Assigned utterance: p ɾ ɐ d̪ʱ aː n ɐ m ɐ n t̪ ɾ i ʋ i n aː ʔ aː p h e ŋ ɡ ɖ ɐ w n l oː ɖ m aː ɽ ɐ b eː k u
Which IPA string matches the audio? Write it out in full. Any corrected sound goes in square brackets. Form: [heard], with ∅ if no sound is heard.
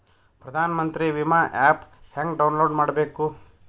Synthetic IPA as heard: p ɾ ɐ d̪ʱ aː n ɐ m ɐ n t̪ ɾ i ʋ i [m] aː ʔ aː p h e ŋ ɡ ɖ ɐ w n l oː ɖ m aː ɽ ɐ b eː k u